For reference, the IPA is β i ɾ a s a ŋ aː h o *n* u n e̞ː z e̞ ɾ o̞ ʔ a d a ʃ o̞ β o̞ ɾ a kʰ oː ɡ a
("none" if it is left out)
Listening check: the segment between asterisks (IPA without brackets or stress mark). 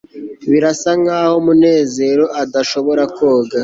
m